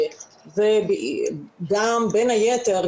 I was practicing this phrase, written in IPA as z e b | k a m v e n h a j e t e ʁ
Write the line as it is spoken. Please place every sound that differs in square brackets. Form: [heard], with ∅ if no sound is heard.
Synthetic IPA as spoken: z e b | [ɡ] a m [b] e n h a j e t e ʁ